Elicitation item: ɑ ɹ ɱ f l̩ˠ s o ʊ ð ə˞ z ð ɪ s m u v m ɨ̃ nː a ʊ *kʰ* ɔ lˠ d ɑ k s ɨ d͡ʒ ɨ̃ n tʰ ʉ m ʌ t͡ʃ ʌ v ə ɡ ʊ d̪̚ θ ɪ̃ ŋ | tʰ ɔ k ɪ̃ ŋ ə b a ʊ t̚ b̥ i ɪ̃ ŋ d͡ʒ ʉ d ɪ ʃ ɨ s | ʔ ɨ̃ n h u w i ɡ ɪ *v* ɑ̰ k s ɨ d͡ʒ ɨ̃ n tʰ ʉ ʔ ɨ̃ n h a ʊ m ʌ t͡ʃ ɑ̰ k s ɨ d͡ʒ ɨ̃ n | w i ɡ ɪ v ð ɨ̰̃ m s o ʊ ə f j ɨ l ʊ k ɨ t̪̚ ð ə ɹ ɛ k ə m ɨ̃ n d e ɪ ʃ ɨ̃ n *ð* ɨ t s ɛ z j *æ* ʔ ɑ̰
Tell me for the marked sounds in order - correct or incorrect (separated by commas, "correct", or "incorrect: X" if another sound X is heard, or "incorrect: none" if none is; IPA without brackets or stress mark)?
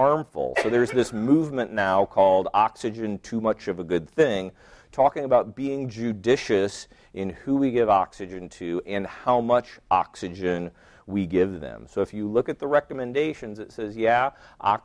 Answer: correct, correct, incorrect: z, correct